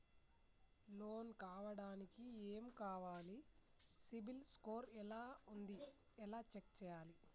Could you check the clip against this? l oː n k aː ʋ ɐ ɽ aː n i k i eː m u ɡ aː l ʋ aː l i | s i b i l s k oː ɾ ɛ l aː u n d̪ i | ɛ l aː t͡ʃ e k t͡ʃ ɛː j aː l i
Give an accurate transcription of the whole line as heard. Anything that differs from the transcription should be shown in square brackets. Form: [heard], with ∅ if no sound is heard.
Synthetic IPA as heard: l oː n k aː ʋ ɐ ɽ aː n i k i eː m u [k] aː [∅] ʋ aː l i | s i b i l s k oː ɾ ɛ l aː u n d̪ i | ɛ l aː t͡ʃ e k t͡ʃ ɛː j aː l i